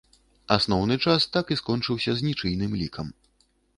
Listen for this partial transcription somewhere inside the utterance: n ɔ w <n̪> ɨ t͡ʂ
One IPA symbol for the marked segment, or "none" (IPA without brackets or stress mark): n̪